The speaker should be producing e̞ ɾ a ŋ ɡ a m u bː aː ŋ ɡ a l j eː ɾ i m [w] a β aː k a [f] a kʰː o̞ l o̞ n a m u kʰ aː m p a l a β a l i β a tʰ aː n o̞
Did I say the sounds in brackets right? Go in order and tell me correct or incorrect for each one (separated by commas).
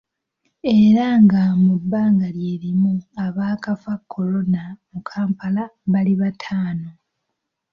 incorrect, correct